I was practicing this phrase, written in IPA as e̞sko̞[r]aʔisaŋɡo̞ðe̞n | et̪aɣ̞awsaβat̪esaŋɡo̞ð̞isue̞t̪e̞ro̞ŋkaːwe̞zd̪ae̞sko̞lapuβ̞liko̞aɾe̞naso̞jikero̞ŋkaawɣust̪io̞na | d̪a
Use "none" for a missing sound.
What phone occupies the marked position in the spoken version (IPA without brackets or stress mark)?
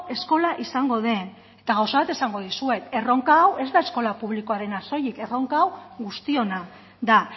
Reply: l